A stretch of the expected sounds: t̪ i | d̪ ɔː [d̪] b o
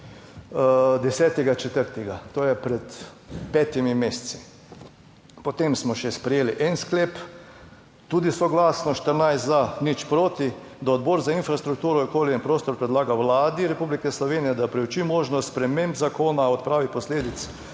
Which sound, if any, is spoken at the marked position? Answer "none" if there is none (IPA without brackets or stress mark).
d̪